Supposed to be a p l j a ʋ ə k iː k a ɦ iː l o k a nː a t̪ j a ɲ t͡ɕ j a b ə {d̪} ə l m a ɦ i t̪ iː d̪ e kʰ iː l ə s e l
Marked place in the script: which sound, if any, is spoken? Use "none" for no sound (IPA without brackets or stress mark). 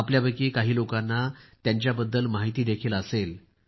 d̪ː